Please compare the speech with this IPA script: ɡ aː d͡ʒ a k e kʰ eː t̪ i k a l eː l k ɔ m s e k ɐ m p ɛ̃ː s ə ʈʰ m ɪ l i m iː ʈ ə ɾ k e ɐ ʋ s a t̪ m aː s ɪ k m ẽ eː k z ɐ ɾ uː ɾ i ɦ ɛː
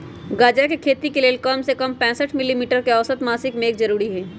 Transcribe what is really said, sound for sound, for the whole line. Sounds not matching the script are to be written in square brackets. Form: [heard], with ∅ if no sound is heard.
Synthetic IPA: ɡ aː d͡ʒ a k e kʰ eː t̪ i k [e] l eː l k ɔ m s e k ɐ m p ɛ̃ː s ə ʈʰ m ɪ l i m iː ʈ ə ɾ k e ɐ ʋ s [ə] t̪ m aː s ɪ k m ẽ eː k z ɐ ɾ uː ɾ i ɦ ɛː